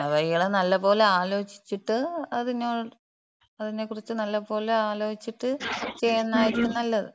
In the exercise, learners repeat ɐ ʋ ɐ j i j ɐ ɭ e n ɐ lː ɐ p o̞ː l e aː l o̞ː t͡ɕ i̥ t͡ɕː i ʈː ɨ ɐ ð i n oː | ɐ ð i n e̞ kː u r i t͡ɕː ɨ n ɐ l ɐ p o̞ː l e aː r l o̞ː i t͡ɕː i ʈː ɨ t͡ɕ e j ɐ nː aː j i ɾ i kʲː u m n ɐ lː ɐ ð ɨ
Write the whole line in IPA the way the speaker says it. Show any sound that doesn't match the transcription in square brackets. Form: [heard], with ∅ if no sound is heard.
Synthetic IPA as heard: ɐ ʋ ɐ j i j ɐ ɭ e n ɐ lː ɐ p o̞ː l e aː l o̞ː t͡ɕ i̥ t͡ɕː i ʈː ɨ ɐ ð i n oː | ɐ ð i n e̞ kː u r i t͡ɕː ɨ n ɐ [lː] ɐ p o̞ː l e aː [∅] l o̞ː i t͡ɕː i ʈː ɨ t͡ɕ e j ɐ nː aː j i ɾ i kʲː u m n ɐ lː ɐ ð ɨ